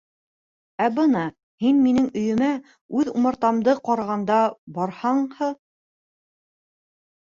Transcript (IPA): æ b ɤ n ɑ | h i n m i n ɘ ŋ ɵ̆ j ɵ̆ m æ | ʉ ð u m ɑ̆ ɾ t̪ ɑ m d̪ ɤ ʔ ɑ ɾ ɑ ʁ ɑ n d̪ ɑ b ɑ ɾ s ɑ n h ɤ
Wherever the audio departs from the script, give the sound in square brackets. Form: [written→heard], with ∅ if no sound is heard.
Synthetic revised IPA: æ b ɤ n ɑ | h i n m i n ɘ ŋ ɵ̆ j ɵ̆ m æ | ʉ ð u m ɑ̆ ɾ t̪ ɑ m d̪ ɤ [ʔ→q] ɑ ɾ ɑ ʁ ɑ n d̪ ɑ b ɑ ɾ [s→h] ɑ [n→ɴ] h ɤ